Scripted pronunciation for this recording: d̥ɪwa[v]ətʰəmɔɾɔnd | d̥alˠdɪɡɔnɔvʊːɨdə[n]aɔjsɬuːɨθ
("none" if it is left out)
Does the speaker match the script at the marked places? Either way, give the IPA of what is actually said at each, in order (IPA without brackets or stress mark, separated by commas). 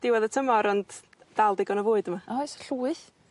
ð, m